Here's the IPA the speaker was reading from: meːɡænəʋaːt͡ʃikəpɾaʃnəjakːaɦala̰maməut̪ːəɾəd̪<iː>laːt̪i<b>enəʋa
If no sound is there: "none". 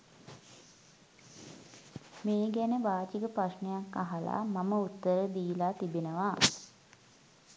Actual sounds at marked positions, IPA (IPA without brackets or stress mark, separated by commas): iː, b